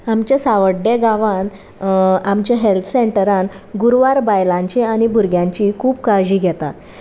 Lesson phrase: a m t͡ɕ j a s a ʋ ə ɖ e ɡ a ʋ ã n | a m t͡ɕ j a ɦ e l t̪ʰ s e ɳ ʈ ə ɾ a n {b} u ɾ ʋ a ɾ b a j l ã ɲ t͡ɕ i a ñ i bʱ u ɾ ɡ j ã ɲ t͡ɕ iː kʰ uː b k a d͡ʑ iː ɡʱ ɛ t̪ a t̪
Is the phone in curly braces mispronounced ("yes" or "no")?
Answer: yes